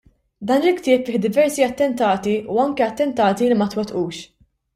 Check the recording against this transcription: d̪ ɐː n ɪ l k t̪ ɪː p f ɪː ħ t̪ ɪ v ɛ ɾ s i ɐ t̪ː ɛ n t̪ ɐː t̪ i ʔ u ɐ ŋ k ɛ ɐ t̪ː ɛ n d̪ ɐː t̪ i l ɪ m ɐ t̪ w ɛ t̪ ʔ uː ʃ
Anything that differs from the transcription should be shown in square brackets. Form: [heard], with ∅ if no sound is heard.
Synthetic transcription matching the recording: d̪ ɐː n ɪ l k t̪ ɪː p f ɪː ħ [d̪] ɪ v ɛ ɾ s i ɐ t̪ː ɛ n t̪ ɐː t̪ i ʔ u ɐ ŋ k ɛ ɐ t̪ː ɛ n [t̪] ɐː t̪ i l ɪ m ɐ t̪ w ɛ t̪ ʔ uː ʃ